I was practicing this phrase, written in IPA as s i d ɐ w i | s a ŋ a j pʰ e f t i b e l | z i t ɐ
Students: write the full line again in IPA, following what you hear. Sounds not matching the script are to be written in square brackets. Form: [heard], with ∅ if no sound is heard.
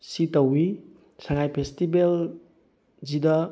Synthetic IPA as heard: s i [t] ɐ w i | s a ŋ a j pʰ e [s] t i b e l | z i [d] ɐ